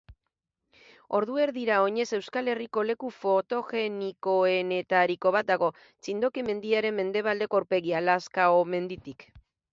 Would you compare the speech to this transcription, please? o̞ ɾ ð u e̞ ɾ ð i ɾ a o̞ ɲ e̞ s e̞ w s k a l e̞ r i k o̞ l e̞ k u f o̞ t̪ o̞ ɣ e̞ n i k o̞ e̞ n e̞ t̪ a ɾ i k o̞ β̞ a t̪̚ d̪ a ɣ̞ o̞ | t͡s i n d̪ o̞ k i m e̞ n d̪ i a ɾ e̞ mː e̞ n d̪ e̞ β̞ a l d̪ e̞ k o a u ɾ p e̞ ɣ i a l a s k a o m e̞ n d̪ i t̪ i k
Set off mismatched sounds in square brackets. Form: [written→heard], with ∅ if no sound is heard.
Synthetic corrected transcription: o̞ ɾ ð u e̞ ɾ ð i ɾ a o̞ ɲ e̞ s e̞ w s k a l e̞ r i k o̞ l e̞ k u f o̞ t̪ o̞ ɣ e̞ n i k o̞ e̞ n e̞ t̪ a ɾ i k o̞ β̞ a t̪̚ d̪ a ɣ̞ o̞ | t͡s i n d̪ o̞ k i m e̞ n d̪ i a ɾ e̞ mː e̞ n d̪ e̞ β̞ a l d̪ e̞ k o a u ɾ p e̞ ɣ i a l a s k a o m e̞ n d̪ i t̪ i k